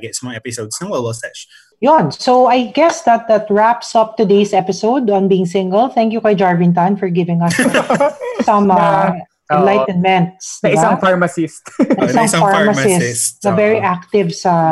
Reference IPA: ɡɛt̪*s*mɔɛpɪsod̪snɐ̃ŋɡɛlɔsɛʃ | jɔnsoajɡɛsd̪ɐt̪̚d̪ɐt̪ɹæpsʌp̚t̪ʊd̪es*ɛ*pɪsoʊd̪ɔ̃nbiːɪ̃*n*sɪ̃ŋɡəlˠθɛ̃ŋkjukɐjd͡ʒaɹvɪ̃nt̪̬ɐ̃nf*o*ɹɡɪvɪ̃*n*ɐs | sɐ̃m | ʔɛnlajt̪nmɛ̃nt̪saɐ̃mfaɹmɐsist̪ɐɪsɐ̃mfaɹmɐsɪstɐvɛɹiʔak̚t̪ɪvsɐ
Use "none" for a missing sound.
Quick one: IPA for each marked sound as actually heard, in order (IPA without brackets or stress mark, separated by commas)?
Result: s, ɛ, ŋ, ɔ, ŋ